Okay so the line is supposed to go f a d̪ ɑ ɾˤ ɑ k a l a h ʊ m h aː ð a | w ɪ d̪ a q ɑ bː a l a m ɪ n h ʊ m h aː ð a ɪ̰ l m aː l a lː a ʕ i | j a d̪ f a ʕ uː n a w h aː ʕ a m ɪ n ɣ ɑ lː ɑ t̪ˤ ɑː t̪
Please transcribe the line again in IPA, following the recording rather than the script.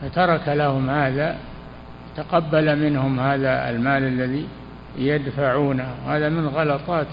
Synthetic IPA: f a t̪ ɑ ɾˤ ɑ k a l a h ʊ m h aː ð a | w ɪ t̪ a q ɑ bː a l a m ɪ n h ʊ m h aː ð a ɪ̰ l m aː l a lː a ð i | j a d̪ f a ʕ uː n a w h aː ð a m ɪ n ɣ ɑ l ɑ t̪ˤ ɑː t̪